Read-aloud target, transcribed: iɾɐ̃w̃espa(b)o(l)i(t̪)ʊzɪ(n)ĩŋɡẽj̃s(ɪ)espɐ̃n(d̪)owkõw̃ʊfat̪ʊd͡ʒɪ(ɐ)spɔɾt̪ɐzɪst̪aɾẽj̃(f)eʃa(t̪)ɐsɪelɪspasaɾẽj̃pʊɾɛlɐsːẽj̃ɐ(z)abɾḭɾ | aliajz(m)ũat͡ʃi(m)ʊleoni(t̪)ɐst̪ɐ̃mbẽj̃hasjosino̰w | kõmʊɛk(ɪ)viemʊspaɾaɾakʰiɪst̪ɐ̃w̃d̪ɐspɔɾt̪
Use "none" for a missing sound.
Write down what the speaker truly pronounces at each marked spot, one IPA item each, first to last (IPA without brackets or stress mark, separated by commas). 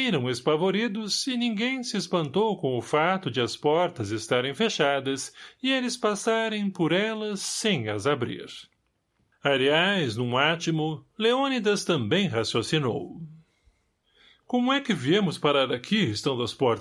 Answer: v, ɾ, d̪, n, ɪ, t̪, ɐ, f, d̪, z, n, m, d̪, ɪ